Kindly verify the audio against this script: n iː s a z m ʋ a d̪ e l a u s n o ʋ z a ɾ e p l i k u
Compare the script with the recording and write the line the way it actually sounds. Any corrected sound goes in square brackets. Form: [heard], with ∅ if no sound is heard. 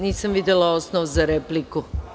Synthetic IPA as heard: n iː s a [∅] m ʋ [i] d̪ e l a [o] s n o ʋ z a ɾ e p l i k u